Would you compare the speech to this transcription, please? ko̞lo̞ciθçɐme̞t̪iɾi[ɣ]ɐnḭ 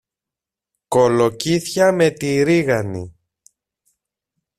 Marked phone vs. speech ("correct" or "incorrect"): correct